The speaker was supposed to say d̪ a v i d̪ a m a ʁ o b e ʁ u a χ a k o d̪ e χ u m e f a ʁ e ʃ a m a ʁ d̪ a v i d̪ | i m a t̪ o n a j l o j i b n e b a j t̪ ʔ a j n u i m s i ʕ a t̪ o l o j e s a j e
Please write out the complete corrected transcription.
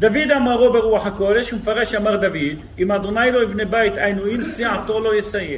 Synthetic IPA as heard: d̪ a v i d̪ a m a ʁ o b e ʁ u a ħ a k o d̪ e ʃ u m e f a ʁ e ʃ a m a ʁ d̪ a v i d̪ | i m a d̪ o n a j l o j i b n e b a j t̪ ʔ a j n u i m s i ʕ a t̪ o l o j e s a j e